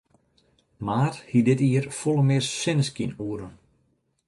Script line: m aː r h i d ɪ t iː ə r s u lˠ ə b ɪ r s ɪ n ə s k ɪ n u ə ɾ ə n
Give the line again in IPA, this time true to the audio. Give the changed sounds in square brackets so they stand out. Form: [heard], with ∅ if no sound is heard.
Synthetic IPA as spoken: m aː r h i d ɪ t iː ə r [f] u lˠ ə [m] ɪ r s ɪ n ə s k [i] n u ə ɾ ə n